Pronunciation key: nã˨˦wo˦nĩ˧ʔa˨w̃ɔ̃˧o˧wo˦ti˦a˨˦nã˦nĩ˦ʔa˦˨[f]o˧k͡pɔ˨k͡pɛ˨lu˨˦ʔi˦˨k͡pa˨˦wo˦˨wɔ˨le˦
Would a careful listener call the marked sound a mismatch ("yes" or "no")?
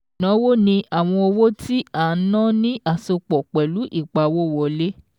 yes